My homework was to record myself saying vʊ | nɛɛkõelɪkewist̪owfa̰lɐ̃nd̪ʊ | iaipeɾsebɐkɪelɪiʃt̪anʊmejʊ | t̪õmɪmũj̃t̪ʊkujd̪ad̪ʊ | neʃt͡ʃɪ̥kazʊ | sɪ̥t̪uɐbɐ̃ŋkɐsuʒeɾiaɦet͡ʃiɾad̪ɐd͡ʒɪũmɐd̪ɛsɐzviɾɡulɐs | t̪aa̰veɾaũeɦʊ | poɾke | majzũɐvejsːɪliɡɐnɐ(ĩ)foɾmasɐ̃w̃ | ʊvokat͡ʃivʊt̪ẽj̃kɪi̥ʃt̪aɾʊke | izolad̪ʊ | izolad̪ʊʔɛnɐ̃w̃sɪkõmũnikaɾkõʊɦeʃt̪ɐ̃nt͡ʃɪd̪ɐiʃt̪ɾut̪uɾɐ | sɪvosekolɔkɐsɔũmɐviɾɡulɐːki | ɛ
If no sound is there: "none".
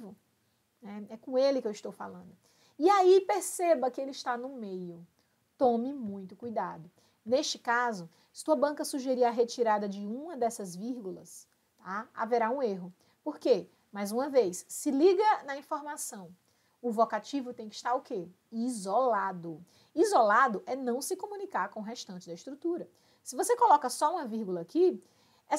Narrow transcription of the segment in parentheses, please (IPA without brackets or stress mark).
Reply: ĩ